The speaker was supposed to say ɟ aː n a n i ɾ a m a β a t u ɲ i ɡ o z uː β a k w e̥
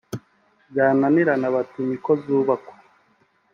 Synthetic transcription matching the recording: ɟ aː n a n i ɾ a n a β a t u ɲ i k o z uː β a k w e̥